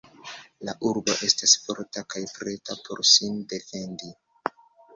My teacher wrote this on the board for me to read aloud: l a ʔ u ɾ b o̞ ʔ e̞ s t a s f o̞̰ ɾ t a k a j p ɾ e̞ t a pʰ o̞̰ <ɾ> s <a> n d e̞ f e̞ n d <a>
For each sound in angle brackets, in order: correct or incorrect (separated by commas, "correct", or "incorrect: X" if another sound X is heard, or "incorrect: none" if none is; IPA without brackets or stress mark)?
correct, incorrect: i, incorrect: i